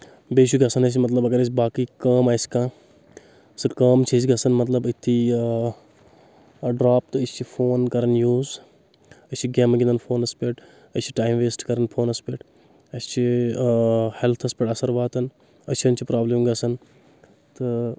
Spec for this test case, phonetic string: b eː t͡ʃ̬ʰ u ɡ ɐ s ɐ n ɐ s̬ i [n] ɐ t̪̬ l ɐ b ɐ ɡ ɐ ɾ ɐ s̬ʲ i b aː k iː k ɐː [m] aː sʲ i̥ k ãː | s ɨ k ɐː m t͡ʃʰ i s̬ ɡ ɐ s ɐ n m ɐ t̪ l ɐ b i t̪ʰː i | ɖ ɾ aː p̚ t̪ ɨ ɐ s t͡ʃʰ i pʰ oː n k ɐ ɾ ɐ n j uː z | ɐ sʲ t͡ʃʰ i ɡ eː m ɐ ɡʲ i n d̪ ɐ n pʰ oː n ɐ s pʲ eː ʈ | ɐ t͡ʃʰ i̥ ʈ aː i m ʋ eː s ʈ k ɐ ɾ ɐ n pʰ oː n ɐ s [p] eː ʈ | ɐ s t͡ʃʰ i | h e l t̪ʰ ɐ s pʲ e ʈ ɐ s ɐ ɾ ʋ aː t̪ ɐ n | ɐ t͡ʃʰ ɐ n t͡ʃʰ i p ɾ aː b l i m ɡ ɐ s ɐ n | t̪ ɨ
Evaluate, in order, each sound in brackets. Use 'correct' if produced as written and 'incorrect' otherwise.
incorrect: m, correct, correct

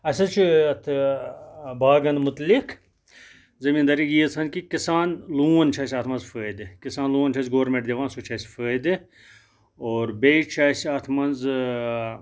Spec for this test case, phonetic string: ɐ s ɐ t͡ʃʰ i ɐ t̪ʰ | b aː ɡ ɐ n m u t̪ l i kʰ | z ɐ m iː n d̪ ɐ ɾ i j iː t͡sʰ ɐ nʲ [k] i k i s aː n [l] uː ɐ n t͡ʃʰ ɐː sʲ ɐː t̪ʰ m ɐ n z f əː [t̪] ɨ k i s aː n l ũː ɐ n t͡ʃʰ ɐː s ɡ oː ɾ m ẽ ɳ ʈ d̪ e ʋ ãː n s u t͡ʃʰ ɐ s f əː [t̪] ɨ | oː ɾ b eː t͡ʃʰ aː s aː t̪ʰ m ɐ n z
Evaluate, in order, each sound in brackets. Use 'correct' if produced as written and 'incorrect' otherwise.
correct, correct, incorrect: d̪, incorrect: d̪

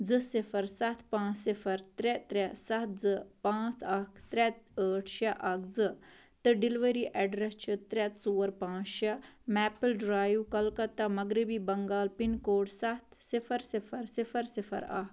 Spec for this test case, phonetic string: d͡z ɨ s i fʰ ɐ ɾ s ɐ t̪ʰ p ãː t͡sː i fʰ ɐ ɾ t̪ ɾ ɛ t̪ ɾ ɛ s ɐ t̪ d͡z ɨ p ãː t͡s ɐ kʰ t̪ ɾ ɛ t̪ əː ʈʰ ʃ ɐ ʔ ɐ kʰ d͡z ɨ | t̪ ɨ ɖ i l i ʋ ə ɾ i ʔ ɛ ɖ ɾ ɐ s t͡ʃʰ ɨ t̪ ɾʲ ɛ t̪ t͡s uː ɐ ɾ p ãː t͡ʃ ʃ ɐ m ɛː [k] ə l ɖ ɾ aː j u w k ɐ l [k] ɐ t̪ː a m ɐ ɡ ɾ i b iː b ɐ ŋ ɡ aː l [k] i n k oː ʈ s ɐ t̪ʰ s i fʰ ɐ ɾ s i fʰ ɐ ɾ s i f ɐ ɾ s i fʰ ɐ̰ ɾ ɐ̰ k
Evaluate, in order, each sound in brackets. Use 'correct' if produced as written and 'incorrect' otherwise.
incorrect: p, correct, incorrect: p

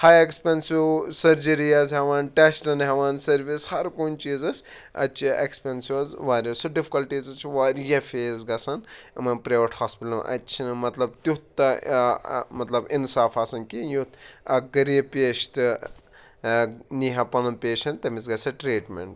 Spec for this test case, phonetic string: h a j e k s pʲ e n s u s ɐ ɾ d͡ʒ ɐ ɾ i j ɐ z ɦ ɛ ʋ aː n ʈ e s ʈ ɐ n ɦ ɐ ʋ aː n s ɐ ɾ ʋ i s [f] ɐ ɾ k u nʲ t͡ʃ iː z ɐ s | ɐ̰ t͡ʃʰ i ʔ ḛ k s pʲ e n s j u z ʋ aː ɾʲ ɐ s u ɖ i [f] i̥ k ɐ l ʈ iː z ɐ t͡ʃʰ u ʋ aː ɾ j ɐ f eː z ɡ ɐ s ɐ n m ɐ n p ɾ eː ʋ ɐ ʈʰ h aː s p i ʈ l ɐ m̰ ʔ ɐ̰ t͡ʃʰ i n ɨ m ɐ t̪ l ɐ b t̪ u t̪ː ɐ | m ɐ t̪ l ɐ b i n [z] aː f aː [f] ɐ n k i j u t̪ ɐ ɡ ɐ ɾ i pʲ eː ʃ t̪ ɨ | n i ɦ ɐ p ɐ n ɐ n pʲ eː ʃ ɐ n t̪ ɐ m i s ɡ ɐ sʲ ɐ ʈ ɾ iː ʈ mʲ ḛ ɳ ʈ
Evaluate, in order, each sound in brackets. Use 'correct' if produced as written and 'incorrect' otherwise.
incorrect: h, correct, incorrect: s, incorrect: s

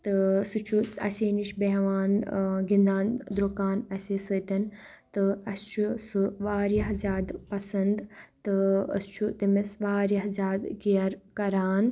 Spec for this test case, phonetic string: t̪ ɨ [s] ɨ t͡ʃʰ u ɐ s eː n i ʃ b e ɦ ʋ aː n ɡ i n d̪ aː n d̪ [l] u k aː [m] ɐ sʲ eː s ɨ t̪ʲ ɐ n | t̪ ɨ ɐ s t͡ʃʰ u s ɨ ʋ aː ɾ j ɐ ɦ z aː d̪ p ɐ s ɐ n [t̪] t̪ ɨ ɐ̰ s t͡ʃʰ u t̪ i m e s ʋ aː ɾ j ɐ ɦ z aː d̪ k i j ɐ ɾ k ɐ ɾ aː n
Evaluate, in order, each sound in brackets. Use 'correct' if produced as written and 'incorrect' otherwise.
correct, incorrect: ɾ, incorrect: n, incorrect: d̪

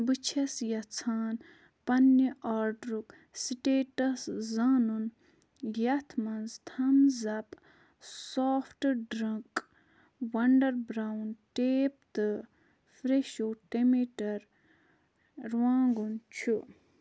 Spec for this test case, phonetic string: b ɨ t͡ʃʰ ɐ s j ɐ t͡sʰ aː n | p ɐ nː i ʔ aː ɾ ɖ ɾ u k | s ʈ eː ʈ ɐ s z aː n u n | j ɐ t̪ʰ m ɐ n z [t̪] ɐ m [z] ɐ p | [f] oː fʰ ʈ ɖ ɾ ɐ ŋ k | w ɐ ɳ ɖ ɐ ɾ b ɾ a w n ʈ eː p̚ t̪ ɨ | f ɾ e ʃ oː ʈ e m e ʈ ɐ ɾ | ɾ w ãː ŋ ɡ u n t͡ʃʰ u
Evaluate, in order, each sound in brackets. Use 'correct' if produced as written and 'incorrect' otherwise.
incorrect: t̪ʰ, correct, incorrect: s

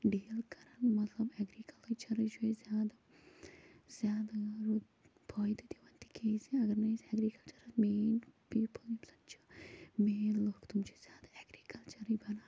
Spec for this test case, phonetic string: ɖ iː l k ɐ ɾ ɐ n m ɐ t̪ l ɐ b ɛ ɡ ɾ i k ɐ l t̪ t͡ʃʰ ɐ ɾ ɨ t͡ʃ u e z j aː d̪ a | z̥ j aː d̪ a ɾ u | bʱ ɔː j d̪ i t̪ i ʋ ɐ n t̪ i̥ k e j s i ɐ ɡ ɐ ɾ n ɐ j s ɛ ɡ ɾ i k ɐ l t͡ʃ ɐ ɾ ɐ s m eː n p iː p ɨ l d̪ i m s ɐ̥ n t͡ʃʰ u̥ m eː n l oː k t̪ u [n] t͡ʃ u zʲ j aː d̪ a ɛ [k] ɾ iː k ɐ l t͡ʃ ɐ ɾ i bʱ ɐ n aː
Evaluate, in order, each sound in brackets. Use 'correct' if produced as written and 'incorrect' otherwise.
incorrect: m, incorrect: ɡ

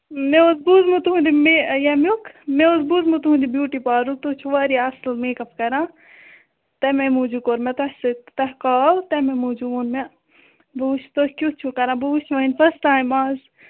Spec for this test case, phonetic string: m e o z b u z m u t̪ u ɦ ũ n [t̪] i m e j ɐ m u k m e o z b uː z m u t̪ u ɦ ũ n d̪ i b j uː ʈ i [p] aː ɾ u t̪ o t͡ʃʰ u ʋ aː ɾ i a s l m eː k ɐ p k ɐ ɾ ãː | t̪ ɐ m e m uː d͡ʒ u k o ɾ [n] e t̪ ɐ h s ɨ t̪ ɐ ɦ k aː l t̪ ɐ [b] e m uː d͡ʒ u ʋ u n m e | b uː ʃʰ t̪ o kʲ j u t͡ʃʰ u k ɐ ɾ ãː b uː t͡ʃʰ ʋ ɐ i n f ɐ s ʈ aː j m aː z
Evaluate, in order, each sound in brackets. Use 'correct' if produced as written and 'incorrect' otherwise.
incorrect: d̪, correct, incorrect: m, incorrect: m

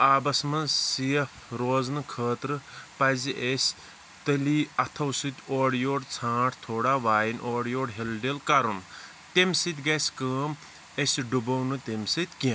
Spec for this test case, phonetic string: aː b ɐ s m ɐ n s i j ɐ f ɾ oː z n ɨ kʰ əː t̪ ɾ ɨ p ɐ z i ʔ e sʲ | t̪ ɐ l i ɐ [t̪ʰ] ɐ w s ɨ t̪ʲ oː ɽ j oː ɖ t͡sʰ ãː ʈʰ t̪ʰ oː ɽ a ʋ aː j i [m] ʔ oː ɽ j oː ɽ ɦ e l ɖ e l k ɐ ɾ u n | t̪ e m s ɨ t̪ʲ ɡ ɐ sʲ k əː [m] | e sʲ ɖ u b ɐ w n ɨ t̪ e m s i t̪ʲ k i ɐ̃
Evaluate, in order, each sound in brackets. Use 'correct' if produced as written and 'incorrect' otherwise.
correct, incorrect: n, correct

